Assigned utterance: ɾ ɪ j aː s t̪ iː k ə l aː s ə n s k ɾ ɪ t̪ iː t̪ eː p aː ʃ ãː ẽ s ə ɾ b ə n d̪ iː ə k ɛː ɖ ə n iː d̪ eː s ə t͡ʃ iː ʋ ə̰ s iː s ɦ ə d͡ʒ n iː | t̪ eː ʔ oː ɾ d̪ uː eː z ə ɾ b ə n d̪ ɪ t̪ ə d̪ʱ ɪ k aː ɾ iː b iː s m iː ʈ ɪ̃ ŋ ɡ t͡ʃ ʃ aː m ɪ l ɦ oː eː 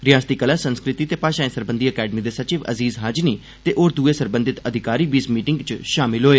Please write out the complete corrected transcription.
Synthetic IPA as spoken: ɾ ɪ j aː s t̪ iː k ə l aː s ə n s k ɾ ɪ t̪ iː t̪ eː p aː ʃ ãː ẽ s ə ɾ b ə n d̪ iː ə k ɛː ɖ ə m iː d̪ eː s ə t͡ʃ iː ʋ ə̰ z iː z ɦ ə d͡ʒ n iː | t̪ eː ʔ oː ɾ d̪ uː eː s ə ɾ b ə n d̪ ɪ t̪ ə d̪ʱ ɪ k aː ɾ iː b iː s m iː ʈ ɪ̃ ŋ ɡ t͡ʃ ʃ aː m ɪ l ɦ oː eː

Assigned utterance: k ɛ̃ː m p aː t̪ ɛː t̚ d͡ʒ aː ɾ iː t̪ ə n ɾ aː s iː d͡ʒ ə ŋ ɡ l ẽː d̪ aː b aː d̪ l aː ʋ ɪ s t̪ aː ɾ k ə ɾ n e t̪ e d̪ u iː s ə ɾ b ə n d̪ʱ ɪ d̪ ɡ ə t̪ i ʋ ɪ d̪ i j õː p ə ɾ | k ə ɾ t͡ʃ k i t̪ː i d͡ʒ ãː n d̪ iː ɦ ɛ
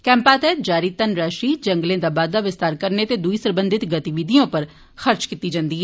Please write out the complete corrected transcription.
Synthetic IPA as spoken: k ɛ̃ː m p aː t̪ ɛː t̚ d͡ʒ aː ɾ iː t̪ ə n ɾ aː ʃ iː d͡ʒ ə ŋ ɡ l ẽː d̪ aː b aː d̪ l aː ʋ ɪ s t̪ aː ɾ k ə ɾ n e t̪ e d̪ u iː s ə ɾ b ə n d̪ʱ ɪ t̪ ɡ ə t̪ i ʋ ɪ d̪ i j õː p ə ɾ | x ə ɾ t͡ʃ k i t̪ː i d͡ʒ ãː n d̪ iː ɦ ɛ

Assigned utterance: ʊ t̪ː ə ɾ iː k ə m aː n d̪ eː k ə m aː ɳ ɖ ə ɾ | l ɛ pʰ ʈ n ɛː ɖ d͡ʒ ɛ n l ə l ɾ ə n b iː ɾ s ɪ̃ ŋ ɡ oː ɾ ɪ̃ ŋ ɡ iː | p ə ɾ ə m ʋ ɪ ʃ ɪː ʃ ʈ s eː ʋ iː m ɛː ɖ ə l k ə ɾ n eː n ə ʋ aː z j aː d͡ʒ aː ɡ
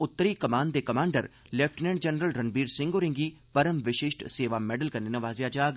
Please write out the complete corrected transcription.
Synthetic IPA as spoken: ʊ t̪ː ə ɾ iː k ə m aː n d̪ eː k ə m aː ɳ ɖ ə ɾ | l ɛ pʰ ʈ n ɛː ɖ d͡ʒ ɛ n ɾ ə l ɾ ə n b iː ɾ s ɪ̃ ŋ ɡ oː ɾ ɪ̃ ŋ ɡ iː | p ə ɾ ə m ʋ ɪ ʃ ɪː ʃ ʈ s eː ʋ aː m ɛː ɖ ə l k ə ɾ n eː n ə ʋ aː z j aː d͡ʒ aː ɡ

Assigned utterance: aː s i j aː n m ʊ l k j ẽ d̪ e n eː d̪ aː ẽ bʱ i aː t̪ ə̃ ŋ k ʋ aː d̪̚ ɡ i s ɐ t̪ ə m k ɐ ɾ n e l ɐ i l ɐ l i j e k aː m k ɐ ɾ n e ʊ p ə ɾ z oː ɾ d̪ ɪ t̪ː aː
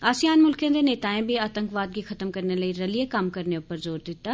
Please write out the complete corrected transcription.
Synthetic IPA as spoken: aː s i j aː n m ʊ l k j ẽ d̪ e n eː t̪ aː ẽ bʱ i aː t̪ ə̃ ŋ k ʋ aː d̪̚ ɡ i x ɐ t̪ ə m k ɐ ɾ n e l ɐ i ɾ ɐ l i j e k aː m k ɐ ɾ n e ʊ p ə ɾ z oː ɾ d̪ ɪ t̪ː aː

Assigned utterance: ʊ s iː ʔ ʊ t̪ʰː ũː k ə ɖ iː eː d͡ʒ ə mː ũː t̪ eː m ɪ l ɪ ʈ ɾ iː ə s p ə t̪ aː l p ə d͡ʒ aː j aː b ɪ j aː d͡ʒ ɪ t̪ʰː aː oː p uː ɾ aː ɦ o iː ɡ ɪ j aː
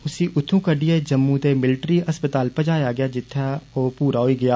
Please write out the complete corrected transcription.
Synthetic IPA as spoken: ʊ s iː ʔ ʊ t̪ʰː ũː k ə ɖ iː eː d͡ʒ ə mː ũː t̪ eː m ɪ l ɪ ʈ ɾ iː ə s p ə t̪ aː l p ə d͡ʒ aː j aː ɡ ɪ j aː d͡ʒ ɪ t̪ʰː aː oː p uː ɾ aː ɦ o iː ɡ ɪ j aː

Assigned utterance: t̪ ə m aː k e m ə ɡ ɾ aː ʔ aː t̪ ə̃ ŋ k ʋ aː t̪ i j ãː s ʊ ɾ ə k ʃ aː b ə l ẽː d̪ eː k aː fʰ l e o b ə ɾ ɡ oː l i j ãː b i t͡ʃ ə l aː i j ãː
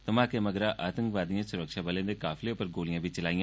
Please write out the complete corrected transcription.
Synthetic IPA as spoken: t̪ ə m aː k e m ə ɡ ɾ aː ʔ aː t̪ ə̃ ŋ k ʋ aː d̪ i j ãː s ʊ ɾ ə k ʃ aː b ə l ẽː d̪ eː k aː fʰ l e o p ə ɾ ɡ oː l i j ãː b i t͡ʃ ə l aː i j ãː

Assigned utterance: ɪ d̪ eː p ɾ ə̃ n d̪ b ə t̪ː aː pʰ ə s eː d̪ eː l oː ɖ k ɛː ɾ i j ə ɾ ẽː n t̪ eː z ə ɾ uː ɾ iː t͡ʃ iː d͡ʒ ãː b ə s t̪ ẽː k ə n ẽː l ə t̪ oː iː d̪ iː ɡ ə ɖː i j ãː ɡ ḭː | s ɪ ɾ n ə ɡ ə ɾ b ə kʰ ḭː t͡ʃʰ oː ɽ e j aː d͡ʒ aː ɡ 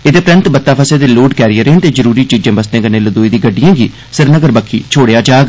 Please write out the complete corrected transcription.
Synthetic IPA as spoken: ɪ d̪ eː p ɾ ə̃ n t̪ b ə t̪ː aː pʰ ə s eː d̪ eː l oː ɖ k ɛː ɾ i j ə ɾ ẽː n t̪ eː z ə ɾ uː ɾ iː t͡ʃ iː d͡ʒ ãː b ə s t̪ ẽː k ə n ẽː l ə d̪ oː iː d̪ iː ɡ ə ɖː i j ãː ɡ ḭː | s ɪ ɾ n ə ɡ ə ɾ b ə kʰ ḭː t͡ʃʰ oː ɽ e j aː d͡ʒ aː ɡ

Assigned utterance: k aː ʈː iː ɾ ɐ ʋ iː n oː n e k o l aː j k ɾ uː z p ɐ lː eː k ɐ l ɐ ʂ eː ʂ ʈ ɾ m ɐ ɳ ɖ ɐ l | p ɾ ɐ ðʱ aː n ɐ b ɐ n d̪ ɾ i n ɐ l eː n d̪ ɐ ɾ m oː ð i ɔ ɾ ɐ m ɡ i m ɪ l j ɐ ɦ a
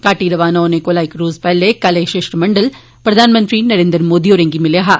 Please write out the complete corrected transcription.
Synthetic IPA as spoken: k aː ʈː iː ɾ ɐ ʋ aː n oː n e k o l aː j k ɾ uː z p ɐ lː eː k ɐ l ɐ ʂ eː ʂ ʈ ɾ m ɐ ɳ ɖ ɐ l | p ɾ ɐ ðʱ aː n ɐ m ɐ n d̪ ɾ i n ɐ ɾ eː n d̪ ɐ ɾ m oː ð i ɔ ɾ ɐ ŋ ɡ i m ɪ l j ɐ ɦ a

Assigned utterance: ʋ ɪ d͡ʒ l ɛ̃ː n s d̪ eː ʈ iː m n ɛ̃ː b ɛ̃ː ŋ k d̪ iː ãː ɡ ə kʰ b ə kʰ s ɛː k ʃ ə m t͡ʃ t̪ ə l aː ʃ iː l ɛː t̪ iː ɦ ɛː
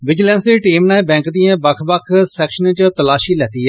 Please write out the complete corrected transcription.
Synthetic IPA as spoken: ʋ ɪ d͡ʒ l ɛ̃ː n s d̪ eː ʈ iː m n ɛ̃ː b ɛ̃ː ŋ k d̪ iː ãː b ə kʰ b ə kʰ s ɛː k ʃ ə n t͡ʃ t̪ ə l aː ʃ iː l ɛː t̪ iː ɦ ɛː

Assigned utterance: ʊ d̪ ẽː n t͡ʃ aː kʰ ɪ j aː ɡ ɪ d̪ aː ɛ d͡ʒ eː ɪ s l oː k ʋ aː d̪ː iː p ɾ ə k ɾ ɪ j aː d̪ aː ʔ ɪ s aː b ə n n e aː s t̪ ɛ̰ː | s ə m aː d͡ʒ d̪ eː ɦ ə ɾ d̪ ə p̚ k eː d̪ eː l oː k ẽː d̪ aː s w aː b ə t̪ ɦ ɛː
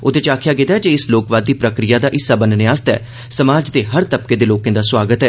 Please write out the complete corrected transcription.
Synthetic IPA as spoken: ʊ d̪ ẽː t͡ʃ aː kʰ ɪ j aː ɡ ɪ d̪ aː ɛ d͡ʒ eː ɪ s l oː k ʋ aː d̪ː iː p ɾ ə k ɾ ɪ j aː d̪ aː ʔ ɪ s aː b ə n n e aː s t̪ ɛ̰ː | s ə m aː d͡ʒ d̪ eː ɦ ə ɾ t̪ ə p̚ k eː d̪ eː l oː k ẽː d̪ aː s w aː ɡ ə t̪ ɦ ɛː

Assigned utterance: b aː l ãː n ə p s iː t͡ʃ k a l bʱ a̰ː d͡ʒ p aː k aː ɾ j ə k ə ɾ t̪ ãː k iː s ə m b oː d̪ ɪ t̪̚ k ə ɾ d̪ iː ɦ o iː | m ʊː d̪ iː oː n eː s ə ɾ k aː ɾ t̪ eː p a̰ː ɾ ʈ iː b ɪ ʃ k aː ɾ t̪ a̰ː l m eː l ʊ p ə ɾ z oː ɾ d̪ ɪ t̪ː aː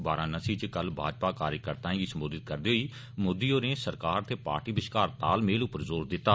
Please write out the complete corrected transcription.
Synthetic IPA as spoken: b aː ɾ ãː n ə s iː t͡ʃ k ə l bʱ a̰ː d͡ʒ p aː k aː ɾ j ə k ə ɾ t̪ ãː ɡ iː s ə m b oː d̪ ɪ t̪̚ k ə ɾ d̪ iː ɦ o iː | m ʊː d̪ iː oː n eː s ə ɾ k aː ɾ t̪ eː p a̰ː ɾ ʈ iː b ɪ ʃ k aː ɾ t̪ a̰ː l m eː l ʊ p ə ɾ z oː ɾ d̪ ɪ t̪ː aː

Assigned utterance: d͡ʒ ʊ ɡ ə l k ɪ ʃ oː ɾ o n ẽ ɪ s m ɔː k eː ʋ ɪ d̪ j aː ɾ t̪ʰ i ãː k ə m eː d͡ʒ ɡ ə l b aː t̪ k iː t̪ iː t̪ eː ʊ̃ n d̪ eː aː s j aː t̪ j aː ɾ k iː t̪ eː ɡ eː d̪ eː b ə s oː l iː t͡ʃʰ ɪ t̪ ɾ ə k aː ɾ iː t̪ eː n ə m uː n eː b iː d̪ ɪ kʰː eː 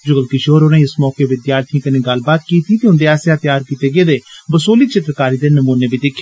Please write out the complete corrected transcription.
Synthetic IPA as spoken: d͡ʒ ʊ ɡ ə l k ɪ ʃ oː ɾ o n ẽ ɪ s m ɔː k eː ʋ ɪ d̪ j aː ɾ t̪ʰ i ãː k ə n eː ɡ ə l b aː t̪ k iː t̪ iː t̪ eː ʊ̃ n d̪ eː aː s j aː t̪ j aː ɾ k iː t̪ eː ɡ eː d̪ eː b ə s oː l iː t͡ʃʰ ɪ t̪ ɾ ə k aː ɾ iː d̪ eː n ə m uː n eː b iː d̪ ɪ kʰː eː

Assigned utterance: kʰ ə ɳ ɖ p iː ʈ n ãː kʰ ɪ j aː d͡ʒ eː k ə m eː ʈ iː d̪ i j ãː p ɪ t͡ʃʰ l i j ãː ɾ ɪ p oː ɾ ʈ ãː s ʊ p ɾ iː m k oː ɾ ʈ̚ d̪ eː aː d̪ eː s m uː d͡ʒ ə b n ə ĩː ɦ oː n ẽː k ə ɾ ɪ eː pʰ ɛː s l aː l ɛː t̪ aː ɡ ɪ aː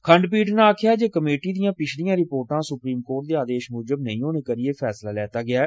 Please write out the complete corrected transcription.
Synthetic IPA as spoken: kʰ ə ɳ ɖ p iː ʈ n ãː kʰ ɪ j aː d͡ʒ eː k ə m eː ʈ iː d̪ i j ãː p ɪ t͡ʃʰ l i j ãː ɾ ɪ p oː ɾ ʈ ãː s ʊ p ɾ iː m k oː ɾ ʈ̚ d̪ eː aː d̪ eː ʃ m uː d͡ʒ ə b n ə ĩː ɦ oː n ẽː k ə ɾ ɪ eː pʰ ɛː s l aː l ɛː t̪ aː ɡ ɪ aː

